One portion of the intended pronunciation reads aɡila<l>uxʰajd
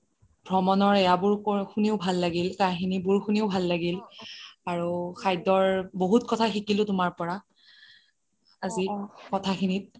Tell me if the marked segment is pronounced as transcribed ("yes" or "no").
no